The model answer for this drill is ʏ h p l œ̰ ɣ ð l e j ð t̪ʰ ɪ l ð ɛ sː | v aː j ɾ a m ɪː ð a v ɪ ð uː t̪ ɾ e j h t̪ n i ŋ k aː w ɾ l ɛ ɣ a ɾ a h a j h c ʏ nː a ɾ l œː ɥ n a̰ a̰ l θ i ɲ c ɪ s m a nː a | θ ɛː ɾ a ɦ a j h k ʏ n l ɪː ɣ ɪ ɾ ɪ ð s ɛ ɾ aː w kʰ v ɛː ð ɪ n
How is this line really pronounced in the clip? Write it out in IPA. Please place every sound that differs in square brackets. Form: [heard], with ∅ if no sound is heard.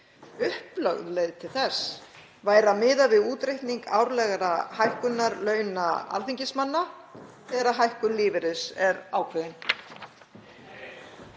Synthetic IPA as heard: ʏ h p l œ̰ ɣ ð l e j ð t̪ʰ ɪ l [θ] ɛ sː | v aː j ɾ a m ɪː ð a v ɪ ð uː t̪ ɾ e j h t̪ n i ŋ k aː w ɾ l ɛ ɣ a ɾ a h a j h [k] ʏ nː a ɾ l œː ɥ n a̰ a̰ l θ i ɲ c ɪ s m a nː a | θ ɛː ɾ a ɦ a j h k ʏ n l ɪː [v] ɪ ɾ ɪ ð s ɛ ɾ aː w kʰ v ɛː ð ɪ n